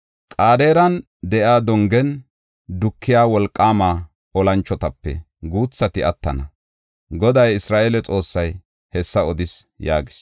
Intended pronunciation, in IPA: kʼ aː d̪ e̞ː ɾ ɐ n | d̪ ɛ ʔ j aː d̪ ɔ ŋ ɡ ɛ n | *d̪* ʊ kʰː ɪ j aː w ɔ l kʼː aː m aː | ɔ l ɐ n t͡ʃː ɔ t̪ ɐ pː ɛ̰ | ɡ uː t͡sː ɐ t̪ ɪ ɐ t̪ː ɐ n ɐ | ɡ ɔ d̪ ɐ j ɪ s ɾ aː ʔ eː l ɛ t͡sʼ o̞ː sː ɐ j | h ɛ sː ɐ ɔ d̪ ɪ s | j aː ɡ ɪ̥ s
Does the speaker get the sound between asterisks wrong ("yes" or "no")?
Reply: no